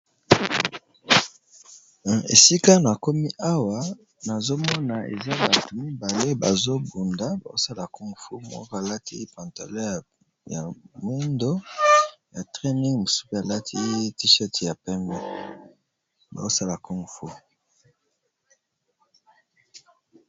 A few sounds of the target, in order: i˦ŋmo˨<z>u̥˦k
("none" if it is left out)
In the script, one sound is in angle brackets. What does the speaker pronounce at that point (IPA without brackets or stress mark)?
s